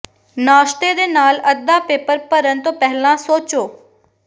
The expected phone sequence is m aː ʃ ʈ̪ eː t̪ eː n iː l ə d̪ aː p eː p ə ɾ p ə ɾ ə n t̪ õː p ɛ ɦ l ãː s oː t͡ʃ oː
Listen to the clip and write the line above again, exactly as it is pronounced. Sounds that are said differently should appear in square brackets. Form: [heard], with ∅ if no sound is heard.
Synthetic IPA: [n] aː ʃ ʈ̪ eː [d̪] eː n [aː] l ə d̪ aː p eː p ə ɾ p ə ɾ ə n t̪ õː p ɛ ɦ l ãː s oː t͡ʃ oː